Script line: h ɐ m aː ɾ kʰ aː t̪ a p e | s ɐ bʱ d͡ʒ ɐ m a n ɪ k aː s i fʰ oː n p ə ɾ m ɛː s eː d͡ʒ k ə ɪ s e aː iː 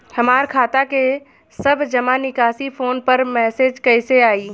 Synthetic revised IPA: h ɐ m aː ɾ kʰ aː t̪ a k e | s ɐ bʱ d͡ʒ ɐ m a n ɪ k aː s i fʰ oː n p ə ɾ m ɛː s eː d͡ʒ k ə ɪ s e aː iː